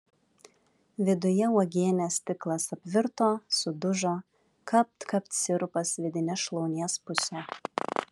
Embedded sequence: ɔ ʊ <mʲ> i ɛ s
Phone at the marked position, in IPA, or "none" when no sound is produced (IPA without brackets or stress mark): nʲ